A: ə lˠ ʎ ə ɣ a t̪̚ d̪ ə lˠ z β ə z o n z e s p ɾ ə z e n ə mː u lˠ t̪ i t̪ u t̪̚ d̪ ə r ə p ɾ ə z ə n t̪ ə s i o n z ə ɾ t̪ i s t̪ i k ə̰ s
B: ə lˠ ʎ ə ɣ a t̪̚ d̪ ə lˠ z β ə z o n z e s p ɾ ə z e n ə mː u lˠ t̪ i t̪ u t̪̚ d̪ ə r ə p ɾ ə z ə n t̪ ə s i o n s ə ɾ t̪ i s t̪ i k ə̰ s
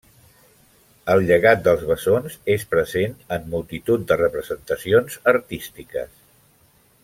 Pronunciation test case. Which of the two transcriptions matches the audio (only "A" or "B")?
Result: A